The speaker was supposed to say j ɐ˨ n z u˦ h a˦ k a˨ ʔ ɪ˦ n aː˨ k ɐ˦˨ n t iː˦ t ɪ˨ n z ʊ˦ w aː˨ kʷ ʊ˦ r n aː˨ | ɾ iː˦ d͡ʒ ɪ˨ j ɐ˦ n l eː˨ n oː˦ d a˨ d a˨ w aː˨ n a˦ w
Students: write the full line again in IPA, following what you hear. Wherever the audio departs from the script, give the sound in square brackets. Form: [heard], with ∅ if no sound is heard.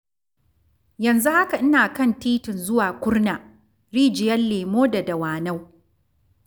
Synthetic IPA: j ɐ˨ n z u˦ h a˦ k a˨ ʔ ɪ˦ n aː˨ k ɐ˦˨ n t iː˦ t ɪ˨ n z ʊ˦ w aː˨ kʷ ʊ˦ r n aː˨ | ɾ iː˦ d͡ʒ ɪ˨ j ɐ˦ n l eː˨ [m] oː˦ d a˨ d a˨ w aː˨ n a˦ w